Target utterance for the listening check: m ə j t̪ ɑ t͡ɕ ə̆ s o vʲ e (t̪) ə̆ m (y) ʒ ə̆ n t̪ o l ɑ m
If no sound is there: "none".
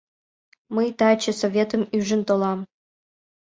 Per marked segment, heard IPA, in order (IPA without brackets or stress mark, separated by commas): t̪, y